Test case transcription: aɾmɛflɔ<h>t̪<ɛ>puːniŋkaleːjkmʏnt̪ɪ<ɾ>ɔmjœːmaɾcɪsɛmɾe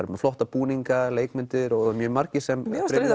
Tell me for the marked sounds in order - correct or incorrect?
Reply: correct, incorrect: a, correct

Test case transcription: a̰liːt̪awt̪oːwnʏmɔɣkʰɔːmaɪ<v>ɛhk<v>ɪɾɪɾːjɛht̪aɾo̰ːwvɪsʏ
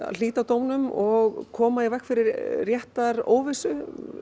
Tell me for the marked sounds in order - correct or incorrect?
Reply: correct, incorrect: f

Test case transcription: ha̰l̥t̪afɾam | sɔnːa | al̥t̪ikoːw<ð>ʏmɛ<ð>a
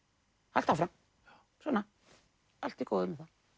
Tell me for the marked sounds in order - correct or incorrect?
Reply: correct, incorrect: θ

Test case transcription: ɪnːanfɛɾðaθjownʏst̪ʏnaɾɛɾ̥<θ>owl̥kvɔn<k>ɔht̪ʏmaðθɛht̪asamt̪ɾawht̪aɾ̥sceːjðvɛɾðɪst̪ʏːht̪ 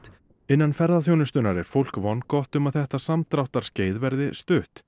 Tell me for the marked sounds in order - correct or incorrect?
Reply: incorrect: f, correct

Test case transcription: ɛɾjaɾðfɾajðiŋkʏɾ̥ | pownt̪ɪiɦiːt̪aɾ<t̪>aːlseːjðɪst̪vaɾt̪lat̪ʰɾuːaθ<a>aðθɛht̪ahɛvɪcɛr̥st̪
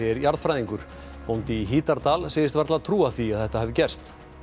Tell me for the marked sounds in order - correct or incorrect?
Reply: correct, incorrect: i

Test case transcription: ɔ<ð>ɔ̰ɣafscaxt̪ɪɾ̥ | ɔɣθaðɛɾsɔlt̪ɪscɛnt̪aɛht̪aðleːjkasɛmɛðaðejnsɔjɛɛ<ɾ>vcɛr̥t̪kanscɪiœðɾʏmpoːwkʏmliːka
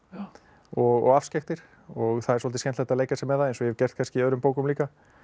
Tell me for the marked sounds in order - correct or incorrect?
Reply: incorrect: ɣ, incorrect: none

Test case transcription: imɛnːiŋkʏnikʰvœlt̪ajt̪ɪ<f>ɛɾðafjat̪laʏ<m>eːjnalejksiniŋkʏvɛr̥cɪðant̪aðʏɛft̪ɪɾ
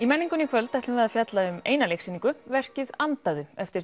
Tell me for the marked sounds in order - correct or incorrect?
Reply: incorrect: v, correct

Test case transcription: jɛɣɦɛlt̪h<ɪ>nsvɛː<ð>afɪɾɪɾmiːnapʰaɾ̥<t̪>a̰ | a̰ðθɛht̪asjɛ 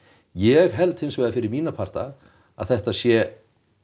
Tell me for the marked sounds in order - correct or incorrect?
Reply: correct, correct, correct

